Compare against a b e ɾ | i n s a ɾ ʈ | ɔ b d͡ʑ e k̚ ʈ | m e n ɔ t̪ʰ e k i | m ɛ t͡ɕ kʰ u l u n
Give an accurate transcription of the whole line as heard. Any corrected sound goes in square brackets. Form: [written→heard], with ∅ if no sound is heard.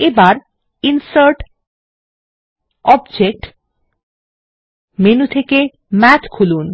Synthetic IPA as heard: [a→e] b [e→a] ɾ | i n s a ɾ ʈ | ɔ b d͡ʑ e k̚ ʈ | m e n [ɔ→u] t̪ʰ e k [i→e] | m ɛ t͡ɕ kʰ u l u n